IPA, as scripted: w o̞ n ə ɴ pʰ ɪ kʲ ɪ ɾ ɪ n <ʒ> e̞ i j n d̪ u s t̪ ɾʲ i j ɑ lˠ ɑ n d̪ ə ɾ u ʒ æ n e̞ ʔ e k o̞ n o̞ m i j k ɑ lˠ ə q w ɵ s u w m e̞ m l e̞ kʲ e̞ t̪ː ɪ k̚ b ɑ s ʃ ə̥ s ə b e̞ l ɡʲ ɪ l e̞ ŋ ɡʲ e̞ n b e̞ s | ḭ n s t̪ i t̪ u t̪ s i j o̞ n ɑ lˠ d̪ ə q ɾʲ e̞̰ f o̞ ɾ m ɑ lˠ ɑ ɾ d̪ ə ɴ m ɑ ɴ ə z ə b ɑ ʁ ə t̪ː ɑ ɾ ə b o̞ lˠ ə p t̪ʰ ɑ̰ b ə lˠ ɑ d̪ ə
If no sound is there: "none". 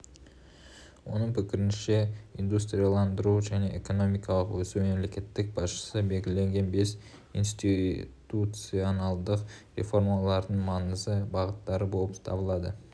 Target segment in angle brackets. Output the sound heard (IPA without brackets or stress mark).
ʃ